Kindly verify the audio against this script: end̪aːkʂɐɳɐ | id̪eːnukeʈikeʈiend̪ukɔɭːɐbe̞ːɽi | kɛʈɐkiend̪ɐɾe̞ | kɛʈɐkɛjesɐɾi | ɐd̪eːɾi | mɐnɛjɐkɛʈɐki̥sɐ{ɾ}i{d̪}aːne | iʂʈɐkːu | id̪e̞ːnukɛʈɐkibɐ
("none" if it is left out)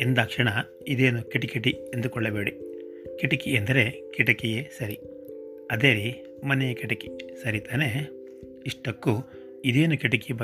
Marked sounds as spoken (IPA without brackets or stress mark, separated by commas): ɾ, t̪